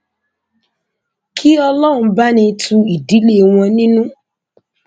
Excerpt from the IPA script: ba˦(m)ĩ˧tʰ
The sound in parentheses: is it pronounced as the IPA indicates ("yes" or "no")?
no